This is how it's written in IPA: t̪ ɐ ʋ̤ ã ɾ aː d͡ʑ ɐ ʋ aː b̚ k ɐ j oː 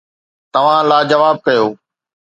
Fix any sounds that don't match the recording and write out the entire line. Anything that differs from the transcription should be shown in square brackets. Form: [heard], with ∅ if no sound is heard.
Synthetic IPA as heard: t̪ ɐ ʋ̤ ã [l] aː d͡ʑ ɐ ʋ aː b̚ k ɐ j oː